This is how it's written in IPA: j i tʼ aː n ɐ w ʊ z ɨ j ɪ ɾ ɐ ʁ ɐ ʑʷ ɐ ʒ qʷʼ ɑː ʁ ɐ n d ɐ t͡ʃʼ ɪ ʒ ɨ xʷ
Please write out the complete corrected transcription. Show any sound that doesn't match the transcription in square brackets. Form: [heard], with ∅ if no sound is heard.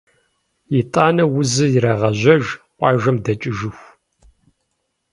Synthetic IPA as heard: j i tʼ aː n ɐ w ʊ z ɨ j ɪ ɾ ɐ ʁ ɐ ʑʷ ɐ ʒ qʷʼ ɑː [ʒ] ɐ [m] d ɐ t͡ʃʼ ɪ ʒ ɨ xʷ